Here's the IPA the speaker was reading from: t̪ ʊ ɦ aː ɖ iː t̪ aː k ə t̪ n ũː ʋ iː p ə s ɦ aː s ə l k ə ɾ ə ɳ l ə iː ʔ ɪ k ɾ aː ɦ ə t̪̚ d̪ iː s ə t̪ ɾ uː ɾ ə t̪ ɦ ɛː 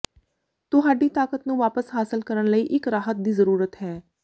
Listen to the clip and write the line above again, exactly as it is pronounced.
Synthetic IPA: t̪ ʊ ɦ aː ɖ iː t̪ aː k ə t̪ n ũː ʋ aː p ə s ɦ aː s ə l k ə ɾ ə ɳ l ə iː ʔ ɪ k ɾ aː ɦ ə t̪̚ d̪ iː z ə ɾ uː ɾ ə t̪ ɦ ɛː